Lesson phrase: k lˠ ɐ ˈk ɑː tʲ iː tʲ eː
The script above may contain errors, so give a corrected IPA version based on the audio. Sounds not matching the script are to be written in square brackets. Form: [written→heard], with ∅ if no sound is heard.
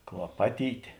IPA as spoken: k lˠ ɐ [ˈk→ˈp] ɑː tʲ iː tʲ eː